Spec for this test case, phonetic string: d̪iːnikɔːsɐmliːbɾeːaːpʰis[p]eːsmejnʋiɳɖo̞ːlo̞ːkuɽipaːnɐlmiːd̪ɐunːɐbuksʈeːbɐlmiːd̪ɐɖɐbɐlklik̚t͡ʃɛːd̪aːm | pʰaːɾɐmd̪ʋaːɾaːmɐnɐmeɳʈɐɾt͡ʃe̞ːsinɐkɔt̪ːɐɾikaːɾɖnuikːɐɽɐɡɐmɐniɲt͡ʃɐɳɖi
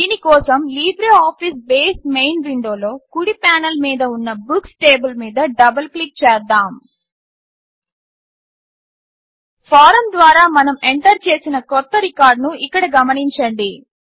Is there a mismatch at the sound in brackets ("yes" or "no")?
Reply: yes